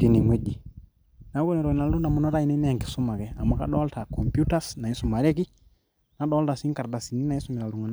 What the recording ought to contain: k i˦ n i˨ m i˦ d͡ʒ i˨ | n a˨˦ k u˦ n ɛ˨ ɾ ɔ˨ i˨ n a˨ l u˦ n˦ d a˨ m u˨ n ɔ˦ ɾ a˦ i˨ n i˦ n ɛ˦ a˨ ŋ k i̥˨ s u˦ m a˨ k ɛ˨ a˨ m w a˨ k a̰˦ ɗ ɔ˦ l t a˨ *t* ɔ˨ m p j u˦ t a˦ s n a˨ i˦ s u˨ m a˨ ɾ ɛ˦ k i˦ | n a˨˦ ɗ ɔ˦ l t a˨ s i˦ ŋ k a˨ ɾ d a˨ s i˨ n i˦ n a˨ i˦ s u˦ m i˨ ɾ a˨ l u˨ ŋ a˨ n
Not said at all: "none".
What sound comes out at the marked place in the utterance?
k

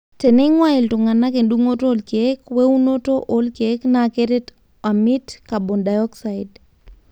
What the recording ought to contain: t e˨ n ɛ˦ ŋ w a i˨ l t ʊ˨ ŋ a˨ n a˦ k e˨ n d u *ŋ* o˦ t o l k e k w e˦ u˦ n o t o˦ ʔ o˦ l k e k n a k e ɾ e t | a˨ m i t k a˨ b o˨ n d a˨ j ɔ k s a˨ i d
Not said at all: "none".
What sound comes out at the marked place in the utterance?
ŋ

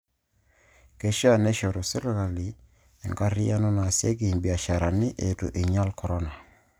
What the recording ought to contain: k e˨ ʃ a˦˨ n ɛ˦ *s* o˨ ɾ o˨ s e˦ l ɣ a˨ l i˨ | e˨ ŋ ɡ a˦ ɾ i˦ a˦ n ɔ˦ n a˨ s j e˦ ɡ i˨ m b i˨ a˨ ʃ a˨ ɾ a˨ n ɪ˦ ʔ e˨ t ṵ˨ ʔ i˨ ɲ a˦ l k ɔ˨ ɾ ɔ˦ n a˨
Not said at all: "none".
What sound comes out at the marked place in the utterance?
ʃ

